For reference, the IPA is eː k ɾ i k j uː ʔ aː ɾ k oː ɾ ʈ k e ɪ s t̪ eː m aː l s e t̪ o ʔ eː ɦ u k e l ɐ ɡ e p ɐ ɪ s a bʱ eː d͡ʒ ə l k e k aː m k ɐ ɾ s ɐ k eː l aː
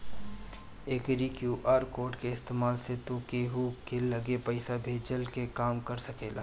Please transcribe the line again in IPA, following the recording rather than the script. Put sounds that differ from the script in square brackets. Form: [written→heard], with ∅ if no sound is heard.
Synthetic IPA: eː k ɾ i k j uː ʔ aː ɾ k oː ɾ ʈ k e ɪ s t̪ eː m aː l s e t̪ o [ʔ→k] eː ɦ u k e l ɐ ɡ e p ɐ ɪ s a bʱ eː d͡ʒ ə l k e k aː m k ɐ ɾ s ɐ k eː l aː

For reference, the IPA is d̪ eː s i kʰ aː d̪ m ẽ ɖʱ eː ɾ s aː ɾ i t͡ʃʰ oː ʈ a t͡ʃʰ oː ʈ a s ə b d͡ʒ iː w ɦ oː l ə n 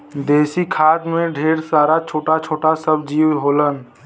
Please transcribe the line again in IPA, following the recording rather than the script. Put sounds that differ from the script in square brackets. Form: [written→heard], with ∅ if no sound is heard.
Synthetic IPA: d̪ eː s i kʰ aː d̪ m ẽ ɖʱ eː ɾ s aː ɾ [i→a] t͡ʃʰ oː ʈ a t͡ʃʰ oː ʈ a s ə b d͡ʒ iː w ɦ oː l ə n

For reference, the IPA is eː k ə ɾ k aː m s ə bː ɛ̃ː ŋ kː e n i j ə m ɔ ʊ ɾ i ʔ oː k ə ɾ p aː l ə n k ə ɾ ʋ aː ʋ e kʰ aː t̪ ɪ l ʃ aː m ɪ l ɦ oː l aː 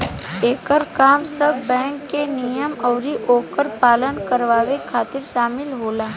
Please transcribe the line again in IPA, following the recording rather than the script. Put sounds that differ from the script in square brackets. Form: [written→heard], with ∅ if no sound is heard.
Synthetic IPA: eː k ə ɾ k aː m s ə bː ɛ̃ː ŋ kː e n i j ə m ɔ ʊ ɾ i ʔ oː k ə ɾ p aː l ə n k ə ɾ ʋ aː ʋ e kʰ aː t̪ ɪ [l→ɾ] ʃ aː m ɪ l ɦ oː l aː

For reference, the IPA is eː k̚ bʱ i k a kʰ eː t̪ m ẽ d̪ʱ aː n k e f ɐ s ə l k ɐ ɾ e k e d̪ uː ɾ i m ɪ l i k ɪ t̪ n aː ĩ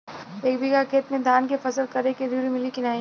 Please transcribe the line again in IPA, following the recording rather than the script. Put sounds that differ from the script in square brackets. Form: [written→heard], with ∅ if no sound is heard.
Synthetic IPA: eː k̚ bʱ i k a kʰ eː t̪ m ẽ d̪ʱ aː n k e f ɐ s ə l k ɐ ɾ e k e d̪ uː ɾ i m ɪ l i k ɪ [t̪→∅] n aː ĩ

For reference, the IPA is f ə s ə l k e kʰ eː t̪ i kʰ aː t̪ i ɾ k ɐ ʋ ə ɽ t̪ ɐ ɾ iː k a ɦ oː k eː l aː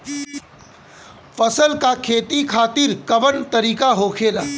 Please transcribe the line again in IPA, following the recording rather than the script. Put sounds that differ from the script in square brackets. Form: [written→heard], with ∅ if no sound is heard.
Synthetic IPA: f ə s ə l k [e→a] kʰ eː t̪ i kʰ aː t̪ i ɾ k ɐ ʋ ə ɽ t̪ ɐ ɾ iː k a ɦ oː [k→kʰ] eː l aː

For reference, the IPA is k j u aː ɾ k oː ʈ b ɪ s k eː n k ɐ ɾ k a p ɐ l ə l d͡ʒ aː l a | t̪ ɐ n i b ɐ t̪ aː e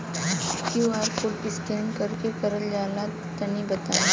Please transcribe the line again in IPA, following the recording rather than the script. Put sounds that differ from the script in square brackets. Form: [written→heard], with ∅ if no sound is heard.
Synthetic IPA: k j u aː ɾ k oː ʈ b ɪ s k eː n k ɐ ɾ k [a→e] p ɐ [l→ɾ] ə l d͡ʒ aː l a | t̪ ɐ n i b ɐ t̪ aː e

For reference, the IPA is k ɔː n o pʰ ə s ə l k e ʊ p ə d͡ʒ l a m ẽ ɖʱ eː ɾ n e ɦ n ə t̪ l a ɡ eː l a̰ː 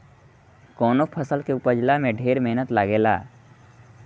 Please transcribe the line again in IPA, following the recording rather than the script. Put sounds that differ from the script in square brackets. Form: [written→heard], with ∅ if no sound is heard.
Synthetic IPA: k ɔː n o pʰ ə s ə l k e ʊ p ə d͡ʒ l a m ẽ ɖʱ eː ɾ [n→m] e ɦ n ə t̪ l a ɡ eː l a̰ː

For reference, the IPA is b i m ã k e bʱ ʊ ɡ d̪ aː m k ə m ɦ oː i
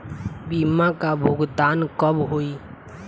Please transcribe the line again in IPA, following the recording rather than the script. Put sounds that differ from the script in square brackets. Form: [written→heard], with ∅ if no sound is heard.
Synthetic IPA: b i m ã k [e→a] bʱ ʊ ɡ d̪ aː [m→n] k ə [m→b] ɦ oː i

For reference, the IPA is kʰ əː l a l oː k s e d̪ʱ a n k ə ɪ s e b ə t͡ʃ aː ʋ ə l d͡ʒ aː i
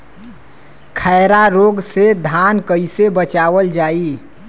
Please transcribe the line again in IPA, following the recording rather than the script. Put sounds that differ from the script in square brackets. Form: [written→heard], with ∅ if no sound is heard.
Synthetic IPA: kʰ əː [l→ɾ] a [l→ɾ] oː [k→ɡ] s e d̪ʱ a n k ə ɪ s e b ə t͡ʃ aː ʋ ə l d͡ʒ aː i

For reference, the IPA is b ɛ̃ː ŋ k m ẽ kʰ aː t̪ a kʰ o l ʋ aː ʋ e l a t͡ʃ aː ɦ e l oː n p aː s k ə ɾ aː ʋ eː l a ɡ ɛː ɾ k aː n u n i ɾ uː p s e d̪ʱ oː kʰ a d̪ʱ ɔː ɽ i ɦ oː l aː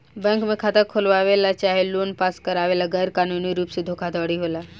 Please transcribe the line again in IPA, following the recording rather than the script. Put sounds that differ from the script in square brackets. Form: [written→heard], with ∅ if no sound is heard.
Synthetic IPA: b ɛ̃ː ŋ k m ẽ kʰ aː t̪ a kʰ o l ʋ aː ʋ e l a t͡ʃ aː ɦ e l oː n p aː s k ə ɾ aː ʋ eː l a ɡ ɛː ɾ k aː n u n i ɾ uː p s e d̪ʱ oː kʰ a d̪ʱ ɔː ɽ i ɦ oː l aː

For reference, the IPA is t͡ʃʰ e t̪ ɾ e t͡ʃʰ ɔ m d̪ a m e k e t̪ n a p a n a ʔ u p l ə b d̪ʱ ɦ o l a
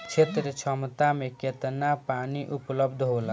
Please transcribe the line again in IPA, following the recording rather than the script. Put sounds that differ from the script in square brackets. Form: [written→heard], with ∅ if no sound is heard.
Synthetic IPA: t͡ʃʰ e t̪ ɾ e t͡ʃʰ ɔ m [d̪→t̪] a m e k e t̪ n a p a n [a→i] ʔ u p l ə b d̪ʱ ɦ o l a

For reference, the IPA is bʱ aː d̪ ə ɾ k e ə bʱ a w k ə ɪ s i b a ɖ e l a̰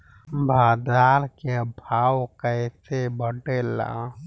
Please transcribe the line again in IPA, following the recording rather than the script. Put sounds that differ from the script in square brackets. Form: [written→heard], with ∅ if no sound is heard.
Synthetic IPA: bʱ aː d̪ [ə→a] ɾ k e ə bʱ a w k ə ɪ s [i→e] b [a→ə] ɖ e l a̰

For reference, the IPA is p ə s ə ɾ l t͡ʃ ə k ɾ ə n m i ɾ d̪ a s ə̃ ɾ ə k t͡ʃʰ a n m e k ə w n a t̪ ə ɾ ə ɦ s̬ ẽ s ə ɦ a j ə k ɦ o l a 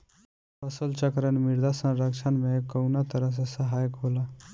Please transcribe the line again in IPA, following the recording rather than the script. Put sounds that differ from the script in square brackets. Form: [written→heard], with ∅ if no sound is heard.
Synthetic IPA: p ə s ə [ɾ→∅] l t͡ʃ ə k ɾ ə n m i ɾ d̪ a s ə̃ ɾ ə k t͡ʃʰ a n m e k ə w n a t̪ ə ɾ ə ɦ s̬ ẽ s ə ɦ a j ə k ɦ o l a

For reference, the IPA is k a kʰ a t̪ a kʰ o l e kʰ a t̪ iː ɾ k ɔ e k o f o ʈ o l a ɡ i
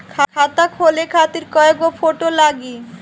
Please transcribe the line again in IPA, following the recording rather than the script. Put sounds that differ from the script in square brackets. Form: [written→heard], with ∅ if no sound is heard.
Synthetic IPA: [k→kʰ] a kʰ a t̪ a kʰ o l e kʰ a t̪ [iː→i] ɾ k ɔ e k o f o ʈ o l a ɡ i

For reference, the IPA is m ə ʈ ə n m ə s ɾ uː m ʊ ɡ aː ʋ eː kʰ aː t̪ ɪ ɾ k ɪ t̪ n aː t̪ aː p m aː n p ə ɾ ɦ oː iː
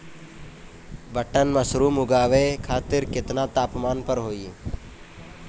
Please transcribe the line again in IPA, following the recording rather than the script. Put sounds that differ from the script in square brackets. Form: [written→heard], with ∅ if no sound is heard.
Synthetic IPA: [m→b] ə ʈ ə n m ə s ɾ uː m ʊ ɡ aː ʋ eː kʰ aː t̪ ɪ ɾ k ɪ t̪ n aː t̪ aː p m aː n p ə ɾ ɦ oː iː

